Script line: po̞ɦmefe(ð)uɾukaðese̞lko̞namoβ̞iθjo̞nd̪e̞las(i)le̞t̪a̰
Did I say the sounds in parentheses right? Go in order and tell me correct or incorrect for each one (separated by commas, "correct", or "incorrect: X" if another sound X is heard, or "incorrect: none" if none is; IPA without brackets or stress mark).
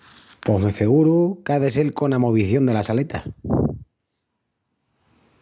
incorrect: ɣ, incorrect: a